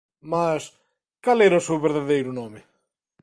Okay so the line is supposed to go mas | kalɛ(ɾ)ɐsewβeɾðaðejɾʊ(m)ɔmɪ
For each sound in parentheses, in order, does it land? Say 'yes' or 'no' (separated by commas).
yes, no